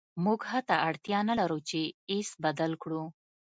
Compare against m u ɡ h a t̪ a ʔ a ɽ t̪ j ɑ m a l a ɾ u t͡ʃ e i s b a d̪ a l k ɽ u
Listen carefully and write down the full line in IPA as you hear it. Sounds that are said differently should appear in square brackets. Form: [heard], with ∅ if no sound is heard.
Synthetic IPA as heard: m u ɡ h a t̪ a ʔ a ɽ t̪ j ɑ [n] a l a ɾ u t͡ʃ e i s b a d̪ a l k ɽ u